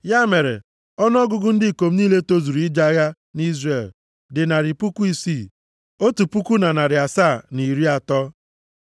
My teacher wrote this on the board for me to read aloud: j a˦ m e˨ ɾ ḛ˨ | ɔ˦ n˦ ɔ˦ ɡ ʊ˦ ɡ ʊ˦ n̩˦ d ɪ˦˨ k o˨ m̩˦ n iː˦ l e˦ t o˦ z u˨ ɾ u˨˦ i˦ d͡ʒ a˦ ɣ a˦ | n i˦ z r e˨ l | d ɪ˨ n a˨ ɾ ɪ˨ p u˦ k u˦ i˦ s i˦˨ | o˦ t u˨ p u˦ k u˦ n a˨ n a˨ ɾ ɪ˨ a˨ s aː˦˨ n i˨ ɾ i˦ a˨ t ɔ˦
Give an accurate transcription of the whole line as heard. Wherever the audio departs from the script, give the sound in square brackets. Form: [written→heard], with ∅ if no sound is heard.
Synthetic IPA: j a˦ m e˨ ɾ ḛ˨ | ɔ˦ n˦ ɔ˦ ɡ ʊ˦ ɡ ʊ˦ n̩˦ d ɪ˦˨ k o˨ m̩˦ n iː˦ l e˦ t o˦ z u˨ ɾ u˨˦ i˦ d͡ʒ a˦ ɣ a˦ | n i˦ z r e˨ l | d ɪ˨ n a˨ ɾ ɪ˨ p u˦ k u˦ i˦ s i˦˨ | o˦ t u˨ p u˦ k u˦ n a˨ n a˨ ɾ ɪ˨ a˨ s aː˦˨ n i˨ ɾ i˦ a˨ t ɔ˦